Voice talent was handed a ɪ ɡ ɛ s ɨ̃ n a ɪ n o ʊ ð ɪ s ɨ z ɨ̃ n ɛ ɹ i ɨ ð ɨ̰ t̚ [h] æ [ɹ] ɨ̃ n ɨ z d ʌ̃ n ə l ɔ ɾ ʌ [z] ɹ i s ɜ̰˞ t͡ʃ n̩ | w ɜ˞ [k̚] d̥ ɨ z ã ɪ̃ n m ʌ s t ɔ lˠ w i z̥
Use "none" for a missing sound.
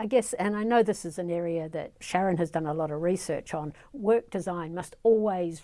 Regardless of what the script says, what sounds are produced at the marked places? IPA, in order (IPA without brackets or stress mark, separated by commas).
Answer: ʃ, ɹ, v, k̚